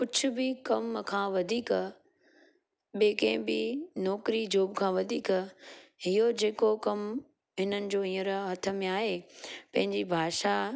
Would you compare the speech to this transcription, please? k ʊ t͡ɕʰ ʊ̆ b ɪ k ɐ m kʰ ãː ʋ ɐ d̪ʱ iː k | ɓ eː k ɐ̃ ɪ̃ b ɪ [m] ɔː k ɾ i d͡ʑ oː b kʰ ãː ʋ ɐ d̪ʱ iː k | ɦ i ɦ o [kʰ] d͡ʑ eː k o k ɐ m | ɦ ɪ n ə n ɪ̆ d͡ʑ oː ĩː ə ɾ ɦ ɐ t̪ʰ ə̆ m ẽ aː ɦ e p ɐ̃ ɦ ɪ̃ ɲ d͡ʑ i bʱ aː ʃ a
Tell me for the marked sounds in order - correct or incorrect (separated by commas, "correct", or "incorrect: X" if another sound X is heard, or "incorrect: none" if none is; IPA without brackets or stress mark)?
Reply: incorrect: n, incorrect: none